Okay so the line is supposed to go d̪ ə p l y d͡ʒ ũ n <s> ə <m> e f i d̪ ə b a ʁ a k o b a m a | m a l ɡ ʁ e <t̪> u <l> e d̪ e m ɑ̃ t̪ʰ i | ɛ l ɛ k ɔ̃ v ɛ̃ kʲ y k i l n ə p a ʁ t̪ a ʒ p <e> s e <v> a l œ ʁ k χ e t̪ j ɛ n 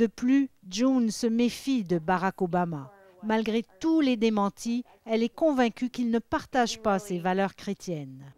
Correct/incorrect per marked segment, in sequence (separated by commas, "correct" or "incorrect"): correct, correct, correct, correct, incorrect, correct